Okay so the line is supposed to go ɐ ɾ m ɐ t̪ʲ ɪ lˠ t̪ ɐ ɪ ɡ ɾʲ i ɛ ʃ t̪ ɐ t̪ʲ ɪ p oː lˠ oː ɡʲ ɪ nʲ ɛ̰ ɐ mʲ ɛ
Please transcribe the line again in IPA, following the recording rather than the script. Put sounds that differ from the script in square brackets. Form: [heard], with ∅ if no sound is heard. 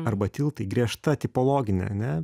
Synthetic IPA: ɐ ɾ [b] ɐ t̪ʲ ɪ lˠ t̪ ɐ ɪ ɡ ɾʲ i ɛ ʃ t̪ ɐ t̪ʲ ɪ p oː lˠ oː ɡʲ ɪ nʲ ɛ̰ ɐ [nʲ] ɛ

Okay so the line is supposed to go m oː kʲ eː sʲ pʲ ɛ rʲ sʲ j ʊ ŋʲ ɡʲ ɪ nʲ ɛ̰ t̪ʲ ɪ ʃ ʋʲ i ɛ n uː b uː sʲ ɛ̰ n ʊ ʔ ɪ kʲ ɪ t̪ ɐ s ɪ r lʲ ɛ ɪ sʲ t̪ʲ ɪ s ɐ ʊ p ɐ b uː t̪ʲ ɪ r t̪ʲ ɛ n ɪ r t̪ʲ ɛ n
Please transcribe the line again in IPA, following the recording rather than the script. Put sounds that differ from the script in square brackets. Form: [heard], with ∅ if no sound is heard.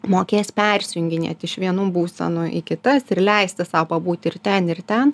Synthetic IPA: m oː kʲ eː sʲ pʲ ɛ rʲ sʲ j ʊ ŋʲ ɡʲ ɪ nʲ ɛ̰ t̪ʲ ɪ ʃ ʋʲ i ɛ n uː b uː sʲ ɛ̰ n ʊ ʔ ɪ kʲ ɪ t̪ ɐ s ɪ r lʲ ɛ ɪ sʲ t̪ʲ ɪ s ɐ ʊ p ɐ b uː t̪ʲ ɪ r t̪ʲ ɛ n ɪ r t̪ʲ ɛ n

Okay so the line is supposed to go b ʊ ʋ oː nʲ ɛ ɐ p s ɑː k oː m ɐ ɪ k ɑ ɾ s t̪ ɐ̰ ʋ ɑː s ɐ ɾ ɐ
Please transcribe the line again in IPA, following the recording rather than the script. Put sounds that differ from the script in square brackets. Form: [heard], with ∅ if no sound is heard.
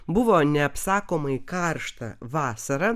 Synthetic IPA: b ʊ ʋ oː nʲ ɛ ɐ p s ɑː k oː m ɐ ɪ k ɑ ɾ [ʃ] t̪ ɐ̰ ʋ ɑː s ɐ ɾ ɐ

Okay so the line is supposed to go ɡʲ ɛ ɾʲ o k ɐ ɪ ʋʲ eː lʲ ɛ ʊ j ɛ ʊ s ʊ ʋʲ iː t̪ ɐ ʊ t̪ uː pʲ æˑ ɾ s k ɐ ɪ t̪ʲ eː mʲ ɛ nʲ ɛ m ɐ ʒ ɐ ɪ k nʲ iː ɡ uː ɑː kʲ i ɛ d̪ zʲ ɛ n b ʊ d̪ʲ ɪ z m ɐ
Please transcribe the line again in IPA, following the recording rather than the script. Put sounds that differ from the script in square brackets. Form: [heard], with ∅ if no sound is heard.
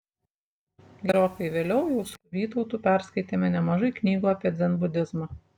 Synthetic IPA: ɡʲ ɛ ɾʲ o k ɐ ɪ ʋʲ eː lʲ ɛ ʊ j ɛ ʊ s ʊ ʋʲ iː t̪ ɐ ʊ t̪ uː pʲ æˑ ɾ s k ɐ ɪ t̪ʲ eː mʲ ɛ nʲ ɛ m ɐ ʒ ɐ ɪ k nʲ iː ɡ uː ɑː [pʲ] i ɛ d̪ zʲ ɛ n b ʊ d̪ʲ ɪ z m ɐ

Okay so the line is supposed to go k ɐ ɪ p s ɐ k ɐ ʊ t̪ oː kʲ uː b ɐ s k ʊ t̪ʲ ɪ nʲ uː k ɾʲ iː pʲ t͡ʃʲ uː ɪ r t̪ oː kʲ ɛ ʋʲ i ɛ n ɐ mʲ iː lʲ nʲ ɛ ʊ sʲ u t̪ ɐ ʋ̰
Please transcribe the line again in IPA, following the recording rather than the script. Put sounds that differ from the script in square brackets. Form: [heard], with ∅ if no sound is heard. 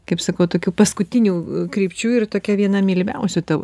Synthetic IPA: k ɐ ɪ p s ɐ k ɐ ʊ t̪ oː kʲ uː [p] ɐ s k ʊ t̪ʲ ɪ nʲ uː k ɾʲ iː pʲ t͡ʃʲ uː ɪ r t̪ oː kʲ ɛ ʋʲ i ɛ n ɐ mʲ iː lʲ [mʲ] ɛ ʊ sʲ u t̪ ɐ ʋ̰

